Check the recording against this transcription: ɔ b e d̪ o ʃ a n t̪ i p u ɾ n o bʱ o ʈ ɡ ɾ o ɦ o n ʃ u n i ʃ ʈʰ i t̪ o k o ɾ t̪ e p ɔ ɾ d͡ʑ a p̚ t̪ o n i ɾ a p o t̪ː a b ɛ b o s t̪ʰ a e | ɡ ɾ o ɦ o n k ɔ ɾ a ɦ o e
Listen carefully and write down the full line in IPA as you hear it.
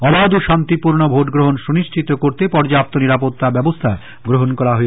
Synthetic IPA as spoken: ɔ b a d̪ u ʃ a n t̪ i p u ɾ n o bʱ o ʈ ɡ ɾ o ɦ o n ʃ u n i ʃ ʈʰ i t̪ o k o ɾ t̪ e p ɔ ɾ d͡ʑ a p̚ t̪ o n i ɾ a p o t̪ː a b ɛ b o s t̪ʰ a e | ɡ ɾ o ɦ o n k ɔ ɾ a ɦ o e